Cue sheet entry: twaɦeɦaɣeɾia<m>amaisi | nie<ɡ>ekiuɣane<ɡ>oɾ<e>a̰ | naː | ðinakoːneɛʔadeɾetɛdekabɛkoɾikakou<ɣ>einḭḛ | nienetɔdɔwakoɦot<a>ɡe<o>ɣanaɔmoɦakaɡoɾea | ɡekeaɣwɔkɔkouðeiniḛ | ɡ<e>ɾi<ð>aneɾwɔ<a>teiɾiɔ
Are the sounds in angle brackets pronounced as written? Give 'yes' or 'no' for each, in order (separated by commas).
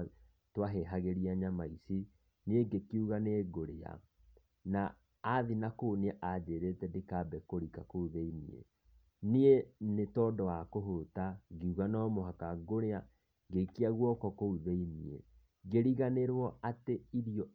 no, yes, yes, yes, no, yes, no, yes, no, yes